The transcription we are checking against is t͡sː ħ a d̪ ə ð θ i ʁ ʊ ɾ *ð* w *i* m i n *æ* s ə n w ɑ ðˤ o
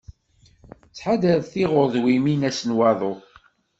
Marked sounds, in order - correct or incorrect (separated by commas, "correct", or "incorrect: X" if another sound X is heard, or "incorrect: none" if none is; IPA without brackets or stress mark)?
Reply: correct, correct, correct